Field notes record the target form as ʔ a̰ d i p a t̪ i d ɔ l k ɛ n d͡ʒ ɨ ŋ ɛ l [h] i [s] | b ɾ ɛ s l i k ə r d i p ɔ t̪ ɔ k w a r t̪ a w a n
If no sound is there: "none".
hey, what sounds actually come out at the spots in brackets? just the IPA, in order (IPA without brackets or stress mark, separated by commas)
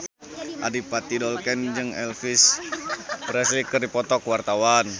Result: f, s